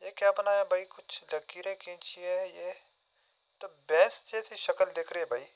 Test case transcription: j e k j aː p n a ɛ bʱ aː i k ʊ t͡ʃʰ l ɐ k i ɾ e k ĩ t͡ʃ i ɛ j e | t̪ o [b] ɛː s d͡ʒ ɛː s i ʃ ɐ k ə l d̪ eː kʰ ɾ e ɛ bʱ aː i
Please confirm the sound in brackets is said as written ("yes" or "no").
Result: yes